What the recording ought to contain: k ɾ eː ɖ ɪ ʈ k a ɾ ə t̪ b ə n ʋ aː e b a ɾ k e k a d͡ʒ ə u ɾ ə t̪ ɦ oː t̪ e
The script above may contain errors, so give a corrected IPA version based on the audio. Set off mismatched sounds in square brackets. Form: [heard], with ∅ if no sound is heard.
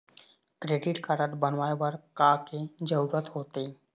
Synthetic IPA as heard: k ɾ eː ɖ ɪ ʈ k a ɾ ə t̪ b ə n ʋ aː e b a ɾ k [a] k [e] d͡ʒ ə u ɾ ə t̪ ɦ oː t̪ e

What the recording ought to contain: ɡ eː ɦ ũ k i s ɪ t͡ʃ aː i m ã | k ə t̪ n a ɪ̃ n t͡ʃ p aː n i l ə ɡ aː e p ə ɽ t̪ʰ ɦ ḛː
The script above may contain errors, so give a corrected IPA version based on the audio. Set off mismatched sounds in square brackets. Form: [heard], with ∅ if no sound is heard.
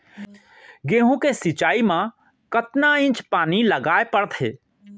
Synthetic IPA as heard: ɡ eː ɦ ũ k [e] s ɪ t͡ʃ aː i m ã | k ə t̪ n a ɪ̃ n t͡ʃ p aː n i l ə ɡ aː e p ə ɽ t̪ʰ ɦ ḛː

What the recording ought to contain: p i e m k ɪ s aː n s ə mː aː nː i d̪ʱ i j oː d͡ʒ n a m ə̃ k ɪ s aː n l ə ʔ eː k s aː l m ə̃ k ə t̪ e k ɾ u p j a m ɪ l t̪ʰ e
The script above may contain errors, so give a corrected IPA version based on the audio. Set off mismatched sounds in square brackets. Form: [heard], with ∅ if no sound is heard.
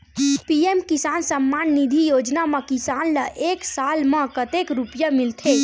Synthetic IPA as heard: p i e m k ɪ s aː n s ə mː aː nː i d̪ʱ i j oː d͡ʒ n a m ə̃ k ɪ s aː n l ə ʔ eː k s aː l m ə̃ k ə t̪ e k ɾ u p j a m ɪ l t̪ʰ e

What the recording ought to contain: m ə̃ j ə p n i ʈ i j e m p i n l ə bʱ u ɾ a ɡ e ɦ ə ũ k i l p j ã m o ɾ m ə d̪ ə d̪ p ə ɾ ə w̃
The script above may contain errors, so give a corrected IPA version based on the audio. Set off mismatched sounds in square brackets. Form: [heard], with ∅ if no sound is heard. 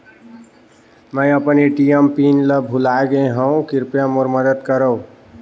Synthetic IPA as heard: m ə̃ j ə p n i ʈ i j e m p i n l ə bʱ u [l] a ɡ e ɦ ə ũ k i [ɾ] p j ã m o ɾ m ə d̪ ə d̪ [k] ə ɾ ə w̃

